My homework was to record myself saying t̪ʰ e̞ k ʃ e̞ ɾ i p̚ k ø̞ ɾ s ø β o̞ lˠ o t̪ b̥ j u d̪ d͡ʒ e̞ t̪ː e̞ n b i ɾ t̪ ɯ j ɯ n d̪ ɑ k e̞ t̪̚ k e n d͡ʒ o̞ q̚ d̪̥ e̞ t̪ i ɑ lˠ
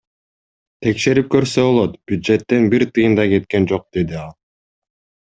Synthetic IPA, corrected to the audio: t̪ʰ e̞ k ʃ e̞ ɾ i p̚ k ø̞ ɾ s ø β o̞ lˠ o t̪ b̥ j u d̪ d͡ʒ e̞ t̪ː e̞ n b i ɾ t̪ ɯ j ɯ n d̪ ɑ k e̞ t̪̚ k e n d͡ʒ o̞ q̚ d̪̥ e̞ d̪ i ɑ lˠ